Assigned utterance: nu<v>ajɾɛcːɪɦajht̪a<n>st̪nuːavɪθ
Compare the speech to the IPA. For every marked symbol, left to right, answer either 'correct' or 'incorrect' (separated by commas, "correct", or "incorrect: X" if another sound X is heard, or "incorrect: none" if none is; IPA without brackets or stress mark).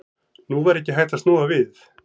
correct, incorrect: none